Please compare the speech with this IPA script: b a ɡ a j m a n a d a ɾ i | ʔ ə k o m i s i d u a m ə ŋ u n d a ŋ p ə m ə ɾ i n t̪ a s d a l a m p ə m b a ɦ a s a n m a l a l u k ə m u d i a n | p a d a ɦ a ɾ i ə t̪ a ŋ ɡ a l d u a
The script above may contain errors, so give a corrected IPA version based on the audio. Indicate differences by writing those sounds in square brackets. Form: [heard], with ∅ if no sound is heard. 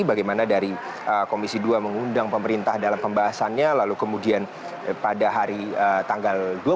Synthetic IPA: b a ɡ a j m a n a d a ɾ i | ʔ ə k o m i s i d u a m ə ŋ u n d a ŋ p ə m ə ɾ i n t̪ a [h] d a l a m p ə m b a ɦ a s a n [ɲ] a l a l u k ə m u d i a n | p a d a ɦ a ɾ i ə t̪ a ŋ ɡ a l d u a